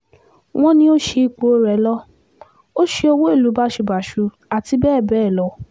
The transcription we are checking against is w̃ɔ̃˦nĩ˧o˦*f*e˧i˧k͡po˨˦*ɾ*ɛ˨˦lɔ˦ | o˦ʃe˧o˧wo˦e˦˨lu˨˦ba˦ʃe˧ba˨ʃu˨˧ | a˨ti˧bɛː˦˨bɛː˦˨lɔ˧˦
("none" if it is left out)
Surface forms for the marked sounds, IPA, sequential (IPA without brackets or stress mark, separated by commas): ʃ, ɾ